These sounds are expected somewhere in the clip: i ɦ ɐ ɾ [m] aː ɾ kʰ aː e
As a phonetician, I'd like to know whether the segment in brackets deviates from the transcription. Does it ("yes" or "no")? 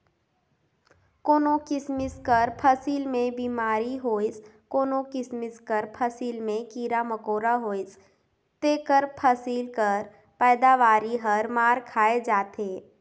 no